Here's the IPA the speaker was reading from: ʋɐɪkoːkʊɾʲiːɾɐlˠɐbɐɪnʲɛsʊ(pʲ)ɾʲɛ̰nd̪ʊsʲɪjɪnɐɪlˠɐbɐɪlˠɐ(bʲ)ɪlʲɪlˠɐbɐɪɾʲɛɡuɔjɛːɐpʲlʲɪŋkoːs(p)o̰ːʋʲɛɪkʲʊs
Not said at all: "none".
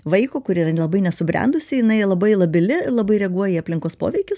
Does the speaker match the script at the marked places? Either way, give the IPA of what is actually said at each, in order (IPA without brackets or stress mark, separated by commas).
bʲ, bʲ, p